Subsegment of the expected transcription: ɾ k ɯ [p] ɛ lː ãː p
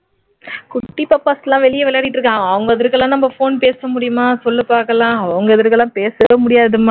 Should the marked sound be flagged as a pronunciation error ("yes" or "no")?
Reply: yes